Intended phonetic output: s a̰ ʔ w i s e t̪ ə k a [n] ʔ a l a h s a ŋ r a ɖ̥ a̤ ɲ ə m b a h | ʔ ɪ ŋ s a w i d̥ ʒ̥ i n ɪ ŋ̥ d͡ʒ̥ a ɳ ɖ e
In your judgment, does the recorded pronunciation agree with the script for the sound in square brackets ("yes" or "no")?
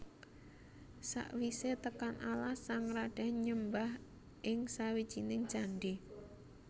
yes